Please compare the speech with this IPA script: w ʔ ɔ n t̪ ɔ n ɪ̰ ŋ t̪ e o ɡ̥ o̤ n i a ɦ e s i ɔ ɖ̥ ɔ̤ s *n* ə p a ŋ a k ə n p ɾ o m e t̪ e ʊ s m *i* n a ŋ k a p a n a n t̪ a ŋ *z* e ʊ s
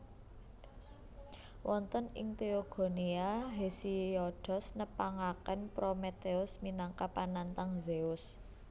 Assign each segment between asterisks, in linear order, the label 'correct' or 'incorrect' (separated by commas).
correct, correct, correct